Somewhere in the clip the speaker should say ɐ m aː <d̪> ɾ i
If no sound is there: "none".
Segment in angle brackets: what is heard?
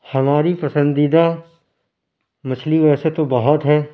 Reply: none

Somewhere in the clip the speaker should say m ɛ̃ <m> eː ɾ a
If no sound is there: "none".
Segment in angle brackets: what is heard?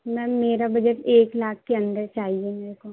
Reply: m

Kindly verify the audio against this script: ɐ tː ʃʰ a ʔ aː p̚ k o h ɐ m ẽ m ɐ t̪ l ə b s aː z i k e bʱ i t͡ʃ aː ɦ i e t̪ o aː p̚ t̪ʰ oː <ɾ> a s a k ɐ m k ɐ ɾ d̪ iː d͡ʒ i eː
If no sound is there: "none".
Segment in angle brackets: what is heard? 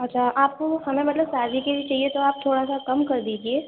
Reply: ɽ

